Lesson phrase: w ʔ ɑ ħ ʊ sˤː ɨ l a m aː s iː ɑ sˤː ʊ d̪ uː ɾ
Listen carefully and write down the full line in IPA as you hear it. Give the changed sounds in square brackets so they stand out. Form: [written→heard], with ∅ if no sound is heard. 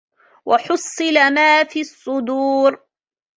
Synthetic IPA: w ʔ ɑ ħ ʊ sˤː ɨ l a m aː [s→f] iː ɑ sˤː ʊ d̪ uː ɾ